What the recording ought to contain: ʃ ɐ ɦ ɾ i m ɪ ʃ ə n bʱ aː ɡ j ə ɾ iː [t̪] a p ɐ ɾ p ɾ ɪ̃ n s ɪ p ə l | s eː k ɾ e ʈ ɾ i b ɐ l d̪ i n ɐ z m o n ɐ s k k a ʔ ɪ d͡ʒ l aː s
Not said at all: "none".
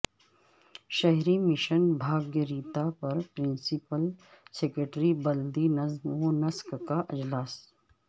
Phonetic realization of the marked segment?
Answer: t̪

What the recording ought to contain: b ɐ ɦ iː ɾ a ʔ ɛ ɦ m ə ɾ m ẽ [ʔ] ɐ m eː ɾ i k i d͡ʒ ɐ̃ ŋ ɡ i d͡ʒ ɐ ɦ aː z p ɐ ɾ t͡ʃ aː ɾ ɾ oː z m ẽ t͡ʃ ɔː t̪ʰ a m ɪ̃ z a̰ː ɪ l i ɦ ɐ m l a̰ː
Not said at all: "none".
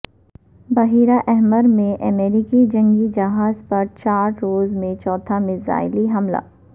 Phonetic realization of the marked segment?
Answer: ʔ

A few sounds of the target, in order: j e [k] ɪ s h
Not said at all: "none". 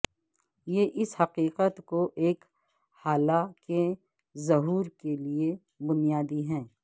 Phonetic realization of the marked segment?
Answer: ʔ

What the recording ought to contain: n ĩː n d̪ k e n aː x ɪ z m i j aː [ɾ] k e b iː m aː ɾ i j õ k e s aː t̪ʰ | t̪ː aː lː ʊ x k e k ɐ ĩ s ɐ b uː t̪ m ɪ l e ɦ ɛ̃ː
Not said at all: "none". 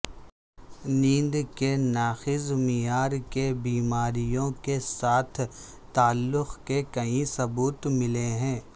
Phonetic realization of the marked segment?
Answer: ɾ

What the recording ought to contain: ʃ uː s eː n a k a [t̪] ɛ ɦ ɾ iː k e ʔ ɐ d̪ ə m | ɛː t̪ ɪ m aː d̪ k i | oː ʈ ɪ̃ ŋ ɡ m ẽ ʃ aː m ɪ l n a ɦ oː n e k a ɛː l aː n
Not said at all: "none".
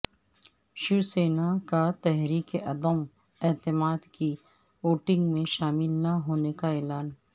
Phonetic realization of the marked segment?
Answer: t̪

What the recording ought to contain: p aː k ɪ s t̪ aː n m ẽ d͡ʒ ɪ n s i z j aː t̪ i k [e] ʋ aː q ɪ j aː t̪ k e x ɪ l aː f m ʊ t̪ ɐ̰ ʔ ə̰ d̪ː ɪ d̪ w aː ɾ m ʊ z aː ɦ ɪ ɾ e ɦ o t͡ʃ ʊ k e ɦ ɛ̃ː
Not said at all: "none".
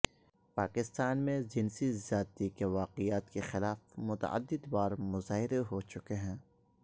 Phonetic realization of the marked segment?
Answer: e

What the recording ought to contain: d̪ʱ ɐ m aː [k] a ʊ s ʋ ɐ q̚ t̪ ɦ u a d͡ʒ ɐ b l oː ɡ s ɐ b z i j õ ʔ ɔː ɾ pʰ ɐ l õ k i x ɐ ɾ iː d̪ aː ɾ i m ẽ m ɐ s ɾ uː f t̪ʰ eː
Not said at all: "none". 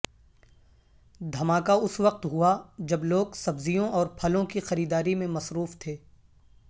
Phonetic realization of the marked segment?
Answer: k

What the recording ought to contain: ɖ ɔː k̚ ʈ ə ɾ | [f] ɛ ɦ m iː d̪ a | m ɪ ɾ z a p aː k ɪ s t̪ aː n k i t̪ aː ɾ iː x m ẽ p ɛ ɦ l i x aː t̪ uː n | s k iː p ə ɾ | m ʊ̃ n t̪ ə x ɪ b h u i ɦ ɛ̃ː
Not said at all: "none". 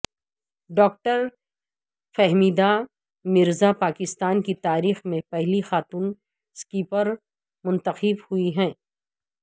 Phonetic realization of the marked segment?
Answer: f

